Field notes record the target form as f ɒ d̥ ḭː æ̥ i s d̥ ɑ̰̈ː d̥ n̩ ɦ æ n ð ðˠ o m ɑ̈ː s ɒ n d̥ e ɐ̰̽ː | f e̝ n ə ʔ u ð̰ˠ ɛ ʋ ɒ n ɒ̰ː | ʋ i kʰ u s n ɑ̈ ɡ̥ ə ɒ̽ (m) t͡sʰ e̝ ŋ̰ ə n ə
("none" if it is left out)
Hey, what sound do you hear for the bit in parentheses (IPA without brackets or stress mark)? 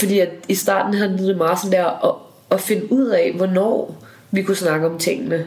m